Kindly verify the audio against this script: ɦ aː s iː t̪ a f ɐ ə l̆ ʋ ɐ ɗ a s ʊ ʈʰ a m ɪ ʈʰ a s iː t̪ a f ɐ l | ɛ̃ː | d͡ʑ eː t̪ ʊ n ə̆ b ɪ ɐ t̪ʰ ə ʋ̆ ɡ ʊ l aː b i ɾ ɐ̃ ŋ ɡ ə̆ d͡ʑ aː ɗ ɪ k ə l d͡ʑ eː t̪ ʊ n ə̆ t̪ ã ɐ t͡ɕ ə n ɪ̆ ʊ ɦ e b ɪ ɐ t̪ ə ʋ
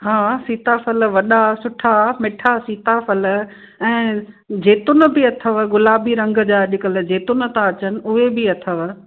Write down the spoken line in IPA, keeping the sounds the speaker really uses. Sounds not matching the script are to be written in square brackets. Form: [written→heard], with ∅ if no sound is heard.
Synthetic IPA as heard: ɦ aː s iː t̪ a f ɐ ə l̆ ʋ ɐ ɗ a s ʊ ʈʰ a m ɪ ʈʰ a s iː t̪ a f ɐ l | ɛ̃ː | d͡ʑ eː t̪ ʊ n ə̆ b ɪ ɐ t̪ʰ ə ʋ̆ ɡ ʊ l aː b i ɾ ɐ̃ ŋ ɡ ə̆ d͡ʑ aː ɗ ɪ k ə l d͡ʑ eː t̪ ʊ n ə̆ t̪ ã ɐ t͡ɕ ə n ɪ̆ ʊ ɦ e b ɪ ɐ [t̪→t̪ʰ] ə ʋ

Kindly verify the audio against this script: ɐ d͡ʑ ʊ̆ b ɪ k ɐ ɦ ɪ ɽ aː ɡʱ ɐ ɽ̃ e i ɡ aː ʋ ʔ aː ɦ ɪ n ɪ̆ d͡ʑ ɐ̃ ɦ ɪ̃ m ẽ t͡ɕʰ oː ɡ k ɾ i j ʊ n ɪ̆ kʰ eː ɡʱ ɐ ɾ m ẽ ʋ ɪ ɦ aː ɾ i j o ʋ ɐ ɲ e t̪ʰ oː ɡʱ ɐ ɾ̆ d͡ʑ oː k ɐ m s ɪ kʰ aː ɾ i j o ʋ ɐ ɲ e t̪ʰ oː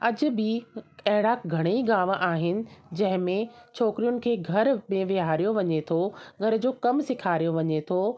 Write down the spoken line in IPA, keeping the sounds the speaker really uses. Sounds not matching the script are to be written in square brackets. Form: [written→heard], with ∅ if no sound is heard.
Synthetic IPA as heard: ɐ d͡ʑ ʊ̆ b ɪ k ɐ ɦ ɪ ɽ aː ɡʱ ɐ ɽ̃ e i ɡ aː ʋ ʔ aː ɦ ɪ n ɪ̆ d͡ʑ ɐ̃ ɦ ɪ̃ m ẽ t͡ɕʰ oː [ɡ→∅] k ɾ i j ʊ n ɪ̆ kʰ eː ɡʱ ɐ ɾ m ẽ ʋ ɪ ɦ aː ɾ i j o ʋ ɐ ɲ e t̪ʰ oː ɡʱ ɐ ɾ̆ d͡ʑ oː k ɐ m s ɪ kʰ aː ɾ i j o ʋ ɐ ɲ e t̪ʰ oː

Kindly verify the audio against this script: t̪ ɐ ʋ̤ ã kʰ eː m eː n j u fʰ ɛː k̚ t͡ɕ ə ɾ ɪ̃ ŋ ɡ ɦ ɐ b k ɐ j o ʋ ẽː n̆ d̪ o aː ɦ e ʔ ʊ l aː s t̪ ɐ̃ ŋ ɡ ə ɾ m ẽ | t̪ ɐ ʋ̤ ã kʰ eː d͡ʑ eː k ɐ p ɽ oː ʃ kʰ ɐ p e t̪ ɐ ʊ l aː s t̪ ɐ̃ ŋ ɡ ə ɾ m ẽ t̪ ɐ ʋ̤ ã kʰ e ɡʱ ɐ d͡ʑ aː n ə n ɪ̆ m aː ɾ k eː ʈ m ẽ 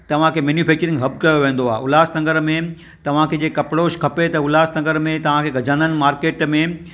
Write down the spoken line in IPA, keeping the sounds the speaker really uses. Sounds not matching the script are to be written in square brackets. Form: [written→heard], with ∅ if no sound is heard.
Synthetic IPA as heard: t̪ ɐ ʋ̤ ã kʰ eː m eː n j u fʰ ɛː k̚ t͡ɕ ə ɾ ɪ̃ ŋ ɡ ɦ ɐ b k ɐ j o ʋ ẽː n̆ d̪ o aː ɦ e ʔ ʊ l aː s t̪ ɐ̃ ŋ ɡ ə ɾ m ẽ | t̪ ɐ ʋ̤ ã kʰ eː d͡ʑ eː k ɐ p ɽ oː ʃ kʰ ɐ p e t̪ ɐ ʊ l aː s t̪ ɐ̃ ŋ ɡ ə ɾ m ẽ t̪ ɐ ʋ̤ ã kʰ e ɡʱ ɐ d͡ʑ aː n ə n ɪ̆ m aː ɾ k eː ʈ m ẽ

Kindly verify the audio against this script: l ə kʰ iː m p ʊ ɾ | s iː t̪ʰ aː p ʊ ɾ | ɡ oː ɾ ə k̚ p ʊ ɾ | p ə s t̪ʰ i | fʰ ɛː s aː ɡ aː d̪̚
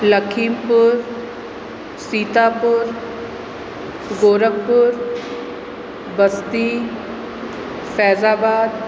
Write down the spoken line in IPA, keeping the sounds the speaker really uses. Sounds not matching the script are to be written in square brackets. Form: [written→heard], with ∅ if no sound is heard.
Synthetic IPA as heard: l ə kʰ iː m p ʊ ɾ | s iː [t̪ʰ→t̪] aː p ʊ ɾ | ɡ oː ɾ ə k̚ p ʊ ɾ | [p→b] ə s [t̪ʰ→t̪] i | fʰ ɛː [s→z] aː [ɡ→b] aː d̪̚

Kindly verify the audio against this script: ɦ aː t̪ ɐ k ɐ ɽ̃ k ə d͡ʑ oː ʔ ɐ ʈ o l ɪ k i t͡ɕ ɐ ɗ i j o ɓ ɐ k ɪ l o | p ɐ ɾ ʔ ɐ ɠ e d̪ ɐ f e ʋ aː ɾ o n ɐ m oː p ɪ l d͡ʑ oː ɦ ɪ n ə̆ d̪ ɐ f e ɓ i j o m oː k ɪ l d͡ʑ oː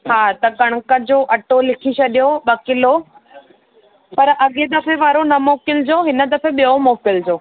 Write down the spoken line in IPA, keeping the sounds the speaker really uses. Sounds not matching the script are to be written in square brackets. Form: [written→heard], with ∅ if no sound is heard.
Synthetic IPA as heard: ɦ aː t̪ ɐ k ɐ ɽ̃ k ə d͡ʑ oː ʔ ɐ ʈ o l ɪ [k→kʰ] i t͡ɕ ɐ ɗ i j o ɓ ɐ k ɪ l o | p ɐ ɾ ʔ ɐ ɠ e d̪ ɐ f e ʋ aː ɾ o n ɐ m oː [p→k] ɪ l d͡ʑ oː ɦ ɪ n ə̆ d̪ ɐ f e ɓ i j o m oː k ɪ l d͡ʑ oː

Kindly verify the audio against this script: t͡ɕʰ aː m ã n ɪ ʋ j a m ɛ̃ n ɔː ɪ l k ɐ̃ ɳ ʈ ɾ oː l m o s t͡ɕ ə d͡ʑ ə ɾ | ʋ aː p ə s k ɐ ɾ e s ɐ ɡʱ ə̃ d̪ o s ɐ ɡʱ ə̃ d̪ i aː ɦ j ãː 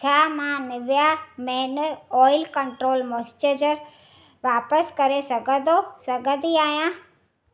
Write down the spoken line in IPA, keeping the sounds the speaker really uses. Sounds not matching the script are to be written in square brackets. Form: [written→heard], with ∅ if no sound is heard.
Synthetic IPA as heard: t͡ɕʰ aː m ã n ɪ ʋ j a m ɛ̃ n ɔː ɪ l k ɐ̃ ɳ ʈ ɾ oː l m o s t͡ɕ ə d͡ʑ ə ɾ | ʋ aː p ə s k ɐ ɾ e s ɐ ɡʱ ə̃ d̪ o s ɐ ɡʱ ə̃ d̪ i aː ɦ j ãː

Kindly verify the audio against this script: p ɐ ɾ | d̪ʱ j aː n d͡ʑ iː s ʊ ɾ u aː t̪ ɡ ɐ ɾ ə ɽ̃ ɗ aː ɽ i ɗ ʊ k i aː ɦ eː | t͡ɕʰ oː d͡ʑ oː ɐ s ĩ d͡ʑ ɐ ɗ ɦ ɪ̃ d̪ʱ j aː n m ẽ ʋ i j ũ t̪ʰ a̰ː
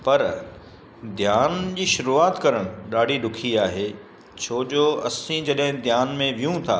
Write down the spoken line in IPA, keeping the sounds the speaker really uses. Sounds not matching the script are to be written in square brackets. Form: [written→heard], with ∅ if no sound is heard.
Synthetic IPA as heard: p ɐ ɾ | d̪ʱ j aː n d͡ʑ iː [s→ʃ] ʊ ɾ u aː t̪ [ɡ→k] ɐ ɾ ə ɽ̃ ɗ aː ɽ i ɗ ʊ [k→kʰ] i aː ɦ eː | t͡ɕʰ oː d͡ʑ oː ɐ s ĩ d͡ʑ ɐ ɗ ɦ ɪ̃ d̪ʱ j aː n m ẽ ʋ i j ũ t̪ʰ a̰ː

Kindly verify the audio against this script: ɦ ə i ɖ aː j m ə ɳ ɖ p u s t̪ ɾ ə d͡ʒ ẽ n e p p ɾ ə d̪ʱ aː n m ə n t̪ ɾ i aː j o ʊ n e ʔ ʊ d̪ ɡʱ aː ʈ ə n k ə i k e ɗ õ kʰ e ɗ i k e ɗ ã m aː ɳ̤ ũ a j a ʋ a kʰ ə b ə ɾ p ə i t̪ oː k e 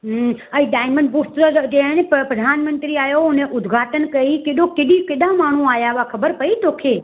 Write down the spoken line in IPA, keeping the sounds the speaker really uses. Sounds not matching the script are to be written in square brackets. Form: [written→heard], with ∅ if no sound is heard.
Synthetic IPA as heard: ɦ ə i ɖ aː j m ə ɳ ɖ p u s t̪ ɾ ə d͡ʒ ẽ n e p p ɾ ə d̪ʱ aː n m ə n t̪ ɾ i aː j o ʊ n e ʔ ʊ d̪ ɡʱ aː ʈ ə n k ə i k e ɗ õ [kʰ→k] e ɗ i k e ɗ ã m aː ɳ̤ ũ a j a ʋ a kʰ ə b ə ɾ p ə i t̪ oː [k→kʰ] e

